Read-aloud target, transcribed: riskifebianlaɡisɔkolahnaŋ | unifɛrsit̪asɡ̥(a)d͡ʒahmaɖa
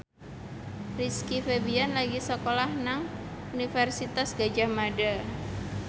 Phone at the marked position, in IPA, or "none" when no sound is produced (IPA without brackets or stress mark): a